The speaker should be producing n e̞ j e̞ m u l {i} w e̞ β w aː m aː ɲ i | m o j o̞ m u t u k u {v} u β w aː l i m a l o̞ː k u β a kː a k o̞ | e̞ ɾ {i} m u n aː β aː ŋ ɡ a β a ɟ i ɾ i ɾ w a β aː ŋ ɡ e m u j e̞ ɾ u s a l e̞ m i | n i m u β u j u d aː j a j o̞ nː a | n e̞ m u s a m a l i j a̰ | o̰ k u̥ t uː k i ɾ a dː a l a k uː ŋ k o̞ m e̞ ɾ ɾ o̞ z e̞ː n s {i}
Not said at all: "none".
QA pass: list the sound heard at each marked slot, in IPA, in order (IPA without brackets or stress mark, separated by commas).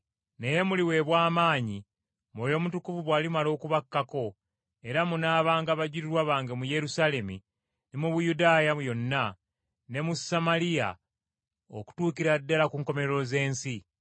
i, v, a, i